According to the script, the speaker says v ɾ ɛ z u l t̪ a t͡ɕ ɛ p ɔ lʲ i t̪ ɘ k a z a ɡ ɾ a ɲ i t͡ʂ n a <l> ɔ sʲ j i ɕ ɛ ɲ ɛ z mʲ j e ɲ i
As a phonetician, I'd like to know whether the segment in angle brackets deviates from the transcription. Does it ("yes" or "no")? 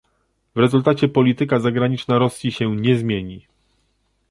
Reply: yes